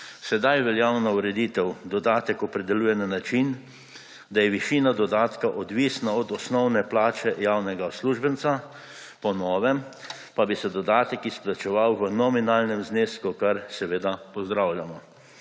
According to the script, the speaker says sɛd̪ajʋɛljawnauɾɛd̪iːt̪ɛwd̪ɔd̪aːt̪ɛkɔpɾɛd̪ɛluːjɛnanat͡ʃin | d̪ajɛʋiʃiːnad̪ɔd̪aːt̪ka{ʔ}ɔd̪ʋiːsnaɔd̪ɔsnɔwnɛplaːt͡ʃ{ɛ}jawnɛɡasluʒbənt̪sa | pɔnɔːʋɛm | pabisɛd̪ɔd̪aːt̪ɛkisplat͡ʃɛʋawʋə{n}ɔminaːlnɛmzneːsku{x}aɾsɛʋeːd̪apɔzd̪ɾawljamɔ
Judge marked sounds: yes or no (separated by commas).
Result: yes, yes, yes, no